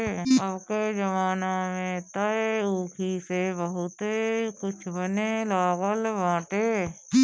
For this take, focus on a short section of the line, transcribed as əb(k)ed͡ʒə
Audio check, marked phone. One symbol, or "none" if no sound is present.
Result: k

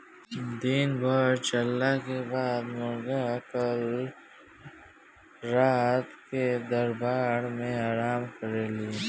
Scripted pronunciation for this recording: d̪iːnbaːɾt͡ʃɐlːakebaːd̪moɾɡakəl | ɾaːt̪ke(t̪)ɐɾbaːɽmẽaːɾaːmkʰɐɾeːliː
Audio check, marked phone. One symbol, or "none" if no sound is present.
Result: d̪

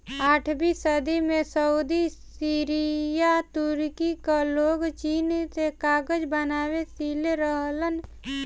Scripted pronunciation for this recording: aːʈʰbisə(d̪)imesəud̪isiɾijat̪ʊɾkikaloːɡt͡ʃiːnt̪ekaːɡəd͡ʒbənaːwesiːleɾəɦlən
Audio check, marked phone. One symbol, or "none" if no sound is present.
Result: d̪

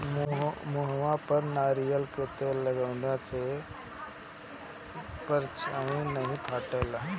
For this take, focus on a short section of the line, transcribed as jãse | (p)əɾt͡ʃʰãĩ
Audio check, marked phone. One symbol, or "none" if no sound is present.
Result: p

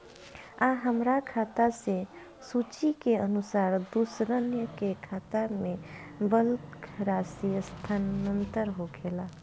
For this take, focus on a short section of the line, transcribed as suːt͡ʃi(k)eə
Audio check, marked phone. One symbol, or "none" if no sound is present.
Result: k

